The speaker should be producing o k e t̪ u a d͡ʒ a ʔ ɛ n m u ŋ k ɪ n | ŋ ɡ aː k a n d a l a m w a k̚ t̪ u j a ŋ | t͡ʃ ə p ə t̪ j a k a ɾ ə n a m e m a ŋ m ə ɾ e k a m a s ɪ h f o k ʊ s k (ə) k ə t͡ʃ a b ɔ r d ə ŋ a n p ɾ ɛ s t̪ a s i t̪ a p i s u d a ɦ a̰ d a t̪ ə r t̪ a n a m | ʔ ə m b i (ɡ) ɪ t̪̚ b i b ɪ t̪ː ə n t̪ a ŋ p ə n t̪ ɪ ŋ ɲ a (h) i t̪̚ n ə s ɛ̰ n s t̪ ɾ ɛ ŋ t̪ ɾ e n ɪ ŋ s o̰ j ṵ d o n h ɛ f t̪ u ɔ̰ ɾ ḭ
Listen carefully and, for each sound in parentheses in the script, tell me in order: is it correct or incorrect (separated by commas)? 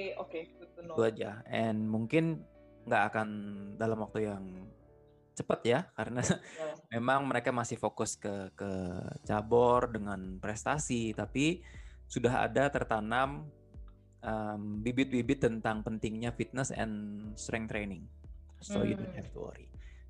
correct, incorrect, incorrect